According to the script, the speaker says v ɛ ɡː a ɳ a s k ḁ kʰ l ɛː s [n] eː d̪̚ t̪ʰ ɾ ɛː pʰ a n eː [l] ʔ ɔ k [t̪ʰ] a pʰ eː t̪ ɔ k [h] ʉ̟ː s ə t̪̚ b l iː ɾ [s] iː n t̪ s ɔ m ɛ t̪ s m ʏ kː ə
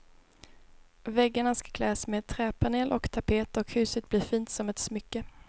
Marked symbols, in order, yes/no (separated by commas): no, yes, yes, yes, no